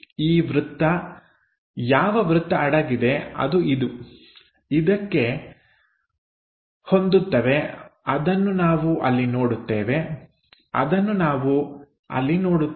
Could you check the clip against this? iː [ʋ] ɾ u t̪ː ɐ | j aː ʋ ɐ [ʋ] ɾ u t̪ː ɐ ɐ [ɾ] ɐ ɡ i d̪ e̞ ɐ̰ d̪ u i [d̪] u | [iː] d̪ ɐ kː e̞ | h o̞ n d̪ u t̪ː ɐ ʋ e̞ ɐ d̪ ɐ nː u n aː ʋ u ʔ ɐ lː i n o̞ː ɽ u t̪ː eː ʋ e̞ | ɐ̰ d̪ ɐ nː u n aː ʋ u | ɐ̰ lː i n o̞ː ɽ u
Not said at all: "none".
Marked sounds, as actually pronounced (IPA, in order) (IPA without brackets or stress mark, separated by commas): ʋ, ʋ, ɽ, d̪, i